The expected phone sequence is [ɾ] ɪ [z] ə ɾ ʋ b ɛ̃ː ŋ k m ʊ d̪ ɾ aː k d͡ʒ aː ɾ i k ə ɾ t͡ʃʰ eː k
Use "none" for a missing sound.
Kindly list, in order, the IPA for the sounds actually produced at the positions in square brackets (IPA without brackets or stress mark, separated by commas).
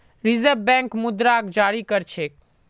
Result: ɾ, z